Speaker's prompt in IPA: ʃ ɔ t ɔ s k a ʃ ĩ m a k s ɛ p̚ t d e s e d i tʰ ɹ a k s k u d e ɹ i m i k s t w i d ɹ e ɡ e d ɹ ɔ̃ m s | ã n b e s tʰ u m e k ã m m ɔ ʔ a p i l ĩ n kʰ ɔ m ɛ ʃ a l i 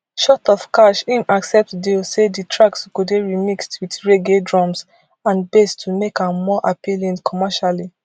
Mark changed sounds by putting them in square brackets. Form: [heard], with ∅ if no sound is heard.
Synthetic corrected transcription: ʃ ɔ t ɔ [f] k a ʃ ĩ m a k s ɛ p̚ t d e s e d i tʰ ɹ a k s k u d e ɹ i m i k s t w i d ɹ e ɡ e d ɹ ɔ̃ m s | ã n b e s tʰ u m e k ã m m ɔ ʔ a p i l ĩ n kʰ ɔ m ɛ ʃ a l i